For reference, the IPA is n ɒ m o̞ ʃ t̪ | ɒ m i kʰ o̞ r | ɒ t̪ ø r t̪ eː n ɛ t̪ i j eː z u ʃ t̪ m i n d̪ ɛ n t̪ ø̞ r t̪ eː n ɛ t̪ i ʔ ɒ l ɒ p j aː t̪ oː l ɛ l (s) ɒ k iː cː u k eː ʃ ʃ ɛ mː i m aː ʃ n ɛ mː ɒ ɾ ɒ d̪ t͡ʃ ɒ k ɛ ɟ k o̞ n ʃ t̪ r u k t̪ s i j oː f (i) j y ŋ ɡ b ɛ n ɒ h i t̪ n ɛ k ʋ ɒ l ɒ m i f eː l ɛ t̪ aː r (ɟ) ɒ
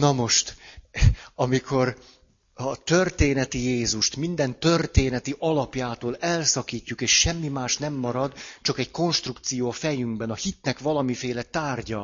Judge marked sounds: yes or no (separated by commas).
yes, no, yes